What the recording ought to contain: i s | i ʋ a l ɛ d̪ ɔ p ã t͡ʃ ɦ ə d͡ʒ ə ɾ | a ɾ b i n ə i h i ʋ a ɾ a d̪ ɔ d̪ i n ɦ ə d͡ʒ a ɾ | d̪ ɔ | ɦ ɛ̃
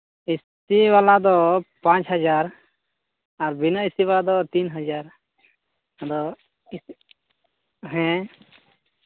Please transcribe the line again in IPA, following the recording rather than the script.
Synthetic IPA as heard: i s | i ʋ a l a d̪ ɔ p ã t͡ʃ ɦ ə d͡ʒ a ɾ | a ɾ b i n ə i s i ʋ a l a d̪ ɔ t̪ i n ɦ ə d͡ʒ a ɾ | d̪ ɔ | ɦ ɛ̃